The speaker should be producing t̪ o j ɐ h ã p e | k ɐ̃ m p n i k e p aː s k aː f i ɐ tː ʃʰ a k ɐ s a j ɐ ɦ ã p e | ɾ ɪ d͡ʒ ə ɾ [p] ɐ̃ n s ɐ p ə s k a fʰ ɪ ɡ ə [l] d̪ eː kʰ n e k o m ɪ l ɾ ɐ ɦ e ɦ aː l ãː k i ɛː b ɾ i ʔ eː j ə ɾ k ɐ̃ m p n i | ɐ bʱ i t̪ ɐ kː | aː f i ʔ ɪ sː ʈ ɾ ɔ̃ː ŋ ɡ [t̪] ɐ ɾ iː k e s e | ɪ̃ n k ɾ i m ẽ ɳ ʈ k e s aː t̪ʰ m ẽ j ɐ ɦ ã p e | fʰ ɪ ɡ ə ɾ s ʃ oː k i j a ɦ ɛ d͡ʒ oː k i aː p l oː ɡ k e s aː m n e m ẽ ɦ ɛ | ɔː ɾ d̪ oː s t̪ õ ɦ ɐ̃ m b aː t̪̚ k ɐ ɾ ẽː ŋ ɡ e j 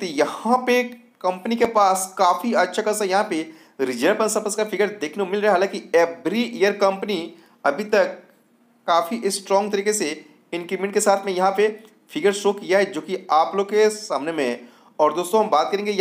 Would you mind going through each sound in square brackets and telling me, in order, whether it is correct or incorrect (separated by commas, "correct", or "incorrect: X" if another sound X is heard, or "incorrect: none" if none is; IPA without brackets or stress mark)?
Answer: correct, incorrect: ɾ, correct